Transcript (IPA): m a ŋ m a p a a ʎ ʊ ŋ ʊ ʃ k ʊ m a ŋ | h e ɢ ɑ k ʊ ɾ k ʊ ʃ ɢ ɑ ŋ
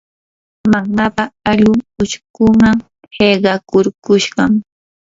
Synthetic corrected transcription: m a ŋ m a p a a ʎ ʊ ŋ ʊ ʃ k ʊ m a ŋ | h e ɢ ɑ k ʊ ɾ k ʊ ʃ ɢ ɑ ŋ